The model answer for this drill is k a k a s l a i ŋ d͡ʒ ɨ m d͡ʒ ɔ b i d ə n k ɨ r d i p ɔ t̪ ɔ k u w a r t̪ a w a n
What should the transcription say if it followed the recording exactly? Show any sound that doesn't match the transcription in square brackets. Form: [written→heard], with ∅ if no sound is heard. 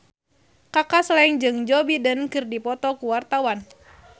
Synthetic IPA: k a k a s l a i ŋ d͡ʒ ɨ [m→ŋ] d͡ʒ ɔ b i d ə n k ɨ r d i p ɔ t̪ ɔ k u w a r t̪ a w a n